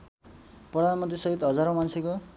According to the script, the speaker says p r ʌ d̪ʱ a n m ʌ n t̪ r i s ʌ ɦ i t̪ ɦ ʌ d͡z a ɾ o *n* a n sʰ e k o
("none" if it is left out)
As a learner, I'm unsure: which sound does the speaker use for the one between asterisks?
m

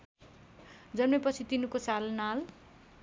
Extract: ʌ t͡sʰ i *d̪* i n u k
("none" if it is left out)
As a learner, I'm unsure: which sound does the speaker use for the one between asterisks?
t̪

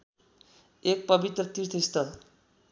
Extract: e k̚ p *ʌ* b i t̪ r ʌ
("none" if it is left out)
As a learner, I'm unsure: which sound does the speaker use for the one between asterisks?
ʌ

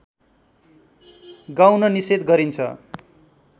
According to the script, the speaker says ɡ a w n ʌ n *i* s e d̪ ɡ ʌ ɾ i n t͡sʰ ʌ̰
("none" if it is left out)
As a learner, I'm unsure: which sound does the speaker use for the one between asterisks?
i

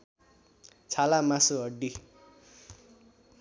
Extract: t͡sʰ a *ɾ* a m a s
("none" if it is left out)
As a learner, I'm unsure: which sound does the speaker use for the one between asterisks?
l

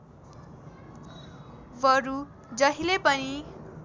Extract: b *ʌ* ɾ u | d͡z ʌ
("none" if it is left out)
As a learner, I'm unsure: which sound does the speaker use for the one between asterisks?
ʌ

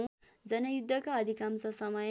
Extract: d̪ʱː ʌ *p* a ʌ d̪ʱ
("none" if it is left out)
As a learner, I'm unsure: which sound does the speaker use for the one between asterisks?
k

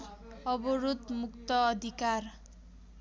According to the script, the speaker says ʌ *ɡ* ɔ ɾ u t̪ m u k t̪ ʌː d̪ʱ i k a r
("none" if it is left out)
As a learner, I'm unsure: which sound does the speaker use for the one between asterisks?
b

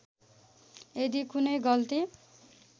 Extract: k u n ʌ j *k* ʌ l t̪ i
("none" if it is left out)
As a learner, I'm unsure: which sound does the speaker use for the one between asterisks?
ɡ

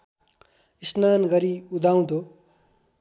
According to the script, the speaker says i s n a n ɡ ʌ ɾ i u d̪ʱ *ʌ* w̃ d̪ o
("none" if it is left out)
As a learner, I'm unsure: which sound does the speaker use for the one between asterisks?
a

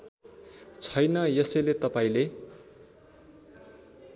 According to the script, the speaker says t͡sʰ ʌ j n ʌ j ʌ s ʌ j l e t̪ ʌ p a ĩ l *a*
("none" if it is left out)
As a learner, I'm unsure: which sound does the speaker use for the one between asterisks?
e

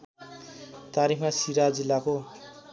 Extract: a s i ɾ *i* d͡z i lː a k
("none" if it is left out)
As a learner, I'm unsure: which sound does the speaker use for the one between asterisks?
a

